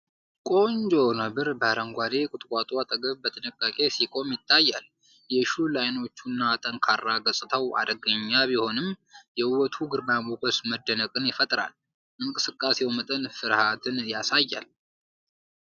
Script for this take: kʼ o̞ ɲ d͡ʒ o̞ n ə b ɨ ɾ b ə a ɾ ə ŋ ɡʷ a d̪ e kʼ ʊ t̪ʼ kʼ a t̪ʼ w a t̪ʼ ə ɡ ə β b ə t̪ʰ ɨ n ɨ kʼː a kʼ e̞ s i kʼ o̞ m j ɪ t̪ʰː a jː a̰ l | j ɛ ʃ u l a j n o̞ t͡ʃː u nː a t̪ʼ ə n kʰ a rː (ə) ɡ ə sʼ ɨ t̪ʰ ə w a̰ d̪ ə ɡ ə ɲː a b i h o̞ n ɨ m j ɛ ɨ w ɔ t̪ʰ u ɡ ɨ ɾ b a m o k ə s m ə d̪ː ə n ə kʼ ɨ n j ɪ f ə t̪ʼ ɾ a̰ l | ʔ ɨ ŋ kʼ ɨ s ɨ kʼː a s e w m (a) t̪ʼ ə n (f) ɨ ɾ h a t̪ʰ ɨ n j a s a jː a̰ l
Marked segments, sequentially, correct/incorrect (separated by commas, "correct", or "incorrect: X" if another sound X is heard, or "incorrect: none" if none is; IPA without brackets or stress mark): incorrect: a, incorrect: ə, correct